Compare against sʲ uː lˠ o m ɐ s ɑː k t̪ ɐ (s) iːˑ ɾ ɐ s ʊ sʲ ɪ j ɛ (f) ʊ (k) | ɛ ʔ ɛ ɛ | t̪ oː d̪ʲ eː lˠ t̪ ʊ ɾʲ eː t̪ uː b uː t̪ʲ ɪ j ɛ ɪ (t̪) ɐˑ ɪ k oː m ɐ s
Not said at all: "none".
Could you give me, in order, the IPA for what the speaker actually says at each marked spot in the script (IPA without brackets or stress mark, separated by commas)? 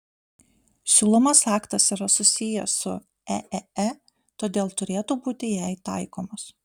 s, s, none, t̪